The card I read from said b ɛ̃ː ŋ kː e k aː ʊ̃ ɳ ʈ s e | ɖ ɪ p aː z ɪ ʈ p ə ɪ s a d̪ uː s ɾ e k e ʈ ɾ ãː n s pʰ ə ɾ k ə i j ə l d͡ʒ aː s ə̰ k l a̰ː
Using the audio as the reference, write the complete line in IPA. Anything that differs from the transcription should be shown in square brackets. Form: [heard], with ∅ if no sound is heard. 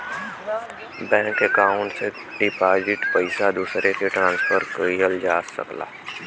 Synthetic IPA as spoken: b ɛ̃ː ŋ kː e k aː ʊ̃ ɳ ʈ s e | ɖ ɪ p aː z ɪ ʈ p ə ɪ s a d̪ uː s ɾ e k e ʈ ɾ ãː n s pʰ ə ɾ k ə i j ə l d͡ʒ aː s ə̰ k l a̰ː